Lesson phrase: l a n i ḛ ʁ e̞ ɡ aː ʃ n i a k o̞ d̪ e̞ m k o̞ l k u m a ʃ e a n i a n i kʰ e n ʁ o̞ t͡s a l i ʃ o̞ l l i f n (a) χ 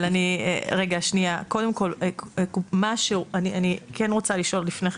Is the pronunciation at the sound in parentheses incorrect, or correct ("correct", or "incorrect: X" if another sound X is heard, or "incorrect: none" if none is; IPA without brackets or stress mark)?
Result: incorrect: e